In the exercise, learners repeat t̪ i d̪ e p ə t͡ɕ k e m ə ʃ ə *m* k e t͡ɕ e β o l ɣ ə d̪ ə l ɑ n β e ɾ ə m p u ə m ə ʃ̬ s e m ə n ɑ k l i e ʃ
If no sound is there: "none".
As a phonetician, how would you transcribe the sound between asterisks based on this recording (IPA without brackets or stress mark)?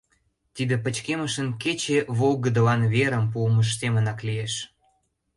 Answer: n